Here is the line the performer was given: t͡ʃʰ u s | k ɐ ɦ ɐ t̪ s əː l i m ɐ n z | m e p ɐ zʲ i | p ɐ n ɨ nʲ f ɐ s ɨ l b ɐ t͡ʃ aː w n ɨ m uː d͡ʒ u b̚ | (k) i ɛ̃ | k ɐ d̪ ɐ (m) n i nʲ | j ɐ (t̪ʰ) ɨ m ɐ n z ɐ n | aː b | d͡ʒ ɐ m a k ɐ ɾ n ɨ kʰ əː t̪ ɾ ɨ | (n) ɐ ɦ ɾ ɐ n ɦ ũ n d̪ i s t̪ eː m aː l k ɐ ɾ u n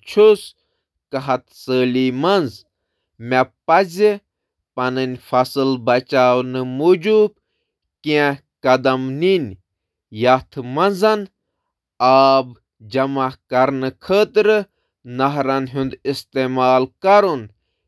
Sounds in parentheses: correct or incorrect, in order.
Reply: correct, correct, correct, correct

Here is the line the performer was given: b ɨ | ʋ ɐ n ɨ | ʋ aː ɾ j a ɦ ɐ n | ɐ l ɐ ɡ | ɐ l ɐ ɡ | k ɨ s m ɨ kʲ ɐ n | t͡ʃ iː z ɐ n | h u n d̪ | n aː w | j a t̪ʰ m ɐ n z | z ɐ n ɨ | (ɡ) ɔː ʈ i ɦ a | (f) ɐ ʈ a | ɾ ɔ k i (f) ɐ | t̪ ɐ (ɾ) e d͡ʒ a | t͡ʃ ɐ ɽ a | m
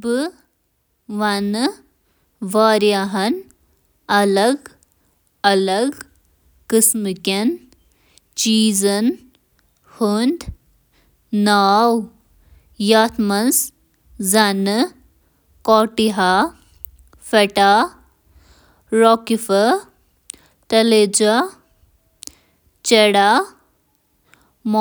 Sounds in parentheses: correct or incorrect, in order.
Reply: incorrect, correct, correct, incorrect

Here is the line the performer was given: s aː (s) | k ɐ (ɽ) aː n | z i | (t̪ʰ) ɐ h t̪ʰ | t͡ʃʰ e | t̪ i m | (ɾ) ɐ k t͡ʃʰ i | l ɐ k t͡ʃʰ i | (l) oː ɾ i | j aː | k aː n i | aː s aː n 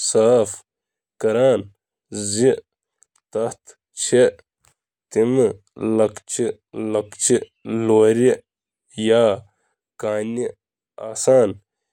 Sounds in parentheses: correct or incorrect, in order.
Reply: incorrect, incorrect, incorrect, incorrect, correct

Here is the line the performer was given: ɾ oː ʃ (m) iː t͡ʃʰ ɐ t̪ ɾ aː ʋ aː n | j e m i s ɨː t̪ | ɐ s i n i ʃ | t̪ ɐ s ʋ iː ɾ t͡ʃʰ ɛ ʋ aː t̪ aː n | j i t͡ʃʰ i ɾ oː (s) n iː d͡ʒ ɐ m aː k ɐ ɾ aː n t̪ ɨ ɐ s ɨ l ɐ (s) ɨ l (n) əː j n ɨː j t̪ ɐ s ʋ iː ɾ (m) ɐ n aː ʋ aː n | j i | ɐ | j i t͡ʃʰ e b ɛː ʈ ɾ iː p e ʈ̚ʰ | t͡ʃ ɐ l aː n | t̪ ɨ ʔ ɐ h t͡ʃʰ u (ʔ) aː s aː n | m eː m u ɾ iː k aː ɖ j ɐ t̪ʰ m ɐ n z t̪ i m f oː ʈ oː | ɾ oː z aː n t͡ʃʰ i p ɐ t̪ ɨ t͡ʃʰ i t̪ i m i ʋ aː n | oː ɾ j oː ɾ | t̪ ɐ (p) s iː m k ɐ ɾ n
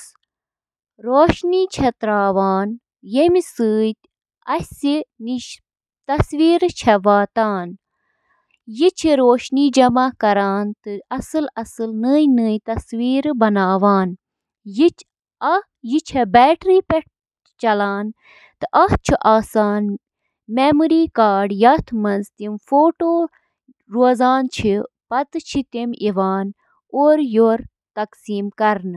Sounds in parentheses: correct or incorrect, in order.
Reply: incorrect, incorrect, correct, correct, incorrect, correct, incorrect

